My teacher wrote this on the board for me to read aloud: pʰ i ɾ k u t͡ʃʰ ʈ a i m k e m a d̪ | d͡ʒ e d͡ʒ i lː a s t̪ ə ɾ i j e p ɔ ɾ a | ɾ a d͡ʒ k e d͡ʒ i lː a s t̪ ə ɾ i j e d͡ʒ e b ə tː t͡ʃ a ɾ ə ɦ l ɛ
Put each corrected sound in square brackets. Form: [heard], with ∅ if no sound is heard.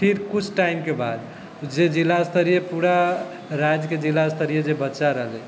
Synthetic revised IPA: pʰ i ɾ k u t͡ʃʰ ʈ a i m k e [b] a d̪ | d͡ʒ e d͡ʒ i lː a s t̪ ə ɾ i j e p [u] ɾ a | ɾ a d͡ʒ k e d͡ʒ i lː a s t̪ ə ɾ i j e d͡ʒ e b ə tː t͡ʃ a ɾ ə ɦ l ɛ